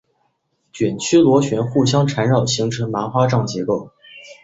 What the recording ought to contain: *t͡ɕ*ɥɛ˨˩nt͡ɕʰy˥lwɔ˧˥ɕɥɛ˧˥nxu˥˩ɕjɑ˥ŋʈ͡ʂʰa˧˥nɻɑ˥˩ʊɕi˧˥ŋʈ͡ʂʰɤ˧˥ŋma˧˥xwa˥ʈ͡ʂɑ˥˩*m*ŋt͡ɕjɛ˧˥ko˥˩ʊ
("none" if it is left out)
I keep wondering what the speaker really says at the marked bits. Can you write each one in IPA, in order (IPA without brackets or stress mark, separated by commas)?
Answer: t͡ɕ, none